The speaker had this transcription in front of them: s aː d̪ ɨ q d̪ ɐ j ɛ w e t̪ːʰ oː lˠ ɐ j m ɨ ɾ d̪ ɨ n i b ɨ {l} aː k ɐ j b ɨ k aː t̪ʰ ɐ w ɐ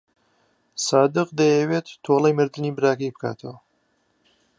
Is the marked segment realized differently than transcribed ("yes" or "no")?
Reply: yes